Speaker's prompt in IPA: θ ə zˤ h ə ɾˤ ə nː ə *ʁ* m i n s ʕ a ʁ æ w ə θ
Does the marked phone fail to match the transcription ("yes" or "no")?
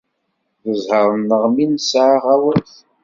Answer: no